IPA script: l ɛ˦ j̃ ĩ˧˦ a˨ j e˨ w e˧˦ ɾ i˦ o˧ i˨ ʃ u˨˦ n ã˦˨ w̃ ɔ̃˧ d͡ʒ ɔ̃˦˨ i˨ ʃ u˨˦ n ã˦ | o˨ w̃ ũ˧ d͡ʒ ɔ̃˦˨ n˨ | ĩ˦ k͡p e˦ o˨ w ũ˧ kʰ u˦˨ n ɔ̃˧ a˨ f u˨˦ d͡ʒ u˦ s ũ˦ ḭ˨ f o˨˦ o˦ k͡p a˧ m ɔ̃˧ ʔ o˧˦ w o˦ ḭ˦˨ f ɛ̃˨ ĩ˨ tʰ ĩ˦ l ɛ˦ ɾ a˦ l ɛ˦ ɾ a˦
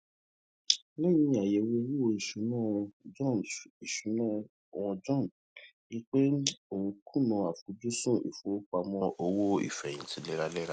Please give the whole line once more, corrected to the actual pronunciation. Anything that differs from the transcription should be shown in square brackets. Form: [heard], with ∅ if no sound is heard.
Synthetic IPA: l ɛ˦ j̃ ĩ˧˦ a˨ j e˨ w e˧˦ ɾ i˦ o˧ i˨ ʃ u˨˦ n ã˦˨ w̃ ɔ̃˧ d͡ʒ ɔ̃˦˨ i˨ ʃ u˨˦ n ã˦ | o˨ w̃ [ɔ̃˧] d͡ʒ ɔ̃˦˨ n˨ | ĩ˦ k͡p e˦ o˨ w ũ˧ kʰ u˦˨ n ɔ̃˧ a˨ f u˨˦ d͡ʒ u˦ s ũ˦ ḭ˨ f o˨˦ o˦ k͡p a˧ m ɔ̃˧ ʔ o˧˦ w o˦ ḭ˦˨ f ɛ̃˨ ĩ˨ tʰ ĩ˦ l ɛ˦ ɾ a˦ l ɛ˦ ɾ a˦